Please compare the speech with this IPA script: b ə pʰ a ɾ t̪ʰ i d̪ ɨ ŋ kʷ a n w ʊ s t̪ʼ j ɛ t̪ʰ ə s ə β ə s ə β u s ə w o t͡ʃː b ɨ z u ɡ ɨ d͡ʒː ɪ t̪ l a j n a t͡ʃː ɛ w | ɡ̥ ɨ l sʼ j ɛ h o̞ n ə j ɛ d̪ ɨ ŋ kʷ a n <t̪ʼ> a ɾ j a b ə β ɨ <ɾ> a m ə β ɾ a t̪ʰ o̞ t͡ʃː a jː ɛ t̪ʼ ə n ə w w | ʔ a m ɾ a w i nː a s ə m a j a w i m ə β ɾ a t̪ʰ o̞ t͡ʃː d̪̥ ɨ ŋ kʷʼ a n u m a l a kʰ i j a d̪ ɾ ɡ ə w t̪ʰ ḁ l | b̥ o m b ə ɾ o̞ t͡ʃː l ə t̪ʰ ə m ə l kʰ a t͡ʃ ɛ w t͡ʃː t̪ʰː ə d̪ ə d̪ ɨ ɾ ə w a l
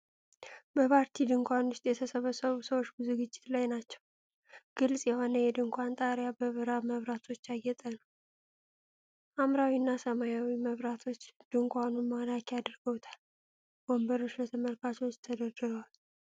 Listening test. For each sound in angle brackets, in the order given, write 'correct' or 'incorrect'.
correct, correct

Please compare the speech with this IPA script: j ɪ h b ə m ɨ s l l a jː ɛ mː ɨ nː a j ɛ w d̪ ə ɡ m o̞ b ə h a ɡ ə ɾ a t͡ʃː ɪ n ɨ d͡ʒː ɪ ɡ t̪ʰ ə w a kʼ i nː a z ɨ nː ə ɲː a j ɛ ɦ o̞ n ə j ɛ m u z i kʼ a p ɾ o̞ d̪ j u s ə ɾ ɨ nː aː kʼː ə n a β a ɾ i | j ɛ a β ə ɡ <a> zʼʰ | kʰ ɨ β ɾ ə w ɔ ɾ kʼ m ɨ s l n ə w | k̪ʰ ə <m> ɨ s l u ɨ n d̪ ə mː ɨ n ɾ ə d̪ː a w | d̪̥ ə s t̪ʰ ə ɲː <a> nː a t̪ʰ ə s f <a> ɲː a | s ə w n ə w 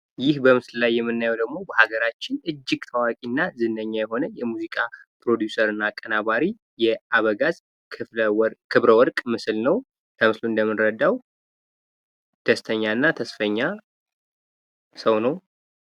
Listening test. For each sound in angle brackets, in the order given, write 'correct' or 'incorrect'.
correct, correct, correct, incorrect: ə

